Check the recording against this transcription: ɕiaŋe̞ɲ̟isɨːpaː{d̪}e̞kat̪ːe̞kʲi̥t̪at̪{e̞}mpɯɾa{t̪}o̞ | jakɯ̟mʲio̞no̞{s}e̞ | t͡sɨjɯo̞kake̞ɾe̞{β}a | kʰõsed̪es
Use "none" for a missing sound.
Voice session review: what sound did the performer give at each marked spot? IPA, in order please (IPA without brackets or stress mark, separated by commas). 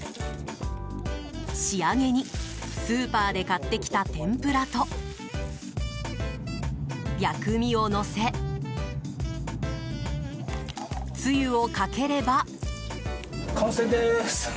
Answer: d̪, ẽ̞, t̪, s, b